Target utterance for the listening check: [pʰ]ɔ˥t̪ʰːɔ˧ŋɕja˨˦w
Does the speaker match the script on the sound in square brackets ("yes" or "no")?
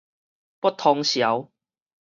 no